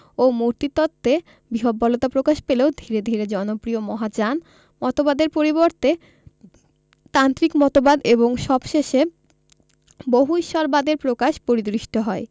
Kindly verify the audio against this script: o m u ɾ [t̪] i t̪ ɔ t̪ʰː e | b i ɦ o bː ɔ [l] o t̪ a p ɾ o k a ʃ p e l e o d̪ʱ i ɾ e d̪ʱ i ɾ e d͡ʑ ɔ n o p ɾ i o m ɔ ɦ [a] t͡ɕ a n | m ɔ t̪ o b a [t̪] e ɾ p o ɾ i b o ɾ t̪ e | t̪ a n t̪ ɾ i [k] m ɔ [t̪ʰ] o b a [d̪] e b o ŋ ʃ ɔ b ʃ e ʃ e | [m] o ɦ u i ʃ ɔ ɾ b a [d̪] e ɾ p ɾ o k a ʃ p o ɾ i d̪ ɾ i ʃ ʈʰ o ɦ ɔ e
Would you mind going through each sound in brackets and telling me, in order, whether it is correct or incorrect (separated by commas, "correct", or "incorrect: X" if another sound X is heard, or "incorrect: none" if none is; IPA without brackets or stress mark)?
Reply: correct, correct, correct, incorrect: d̪, correct, incorrect: t̪, correct, incorrect: b, correct